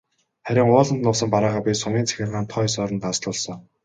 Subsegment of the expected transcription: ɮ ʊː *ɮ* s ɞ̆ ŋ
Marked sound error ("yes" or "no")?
no